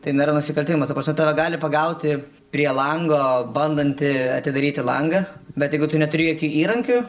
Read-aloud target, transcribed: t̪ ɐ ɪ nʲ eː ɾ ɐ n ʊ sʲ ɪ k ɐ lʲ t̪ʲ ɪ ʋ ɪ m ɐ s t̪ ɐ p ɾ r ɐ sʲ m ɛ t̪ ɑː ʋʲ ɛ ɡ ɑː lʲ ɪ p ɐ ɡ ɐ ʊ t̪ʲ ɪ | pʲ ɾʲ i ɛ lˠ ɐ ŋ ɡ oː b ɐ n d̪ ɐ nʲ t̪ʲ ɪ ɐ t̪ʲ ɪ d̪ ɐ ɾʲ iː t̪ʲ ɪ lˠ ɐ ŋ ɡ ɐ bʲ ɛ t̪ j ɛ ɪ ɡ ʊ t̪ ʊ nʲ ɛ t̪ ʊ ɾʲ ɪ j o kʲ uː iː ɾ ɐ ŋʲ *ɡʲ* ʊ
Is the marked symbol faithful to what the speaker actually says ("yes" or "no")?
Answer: no